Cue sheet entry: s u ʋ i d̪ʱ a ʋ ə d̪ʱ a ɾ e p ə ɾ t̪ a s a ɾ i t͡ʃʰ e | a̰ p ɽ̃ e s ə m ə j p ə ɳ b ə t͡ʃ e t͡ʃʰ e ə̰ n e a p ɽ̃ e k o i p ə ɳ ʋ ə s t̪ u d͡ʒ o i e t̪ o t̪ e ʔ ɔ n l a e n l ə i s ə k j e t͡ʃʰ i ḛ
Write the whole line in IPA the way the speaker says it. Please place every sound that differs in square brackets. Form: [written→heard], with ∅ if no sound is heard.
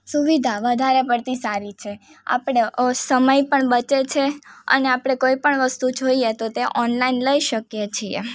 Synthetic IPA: s u ʋ i d̪ʱ a ʋ ə d̪ʱ a ɾ e p ə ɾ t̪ [a→i] s a ɾ i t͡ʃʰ e | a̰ p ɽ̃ e s ə m ə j p ə ɳ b ə t͡ʃ e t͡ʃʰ e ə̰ n e a p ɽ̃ e k o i p ə ɳ ʋ ə s t̪ u d͡ʒ o i e t̪ o t̪ e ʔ ɔ n l a [e→i] n l ə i [s→ʃ] ə k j e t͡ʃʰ i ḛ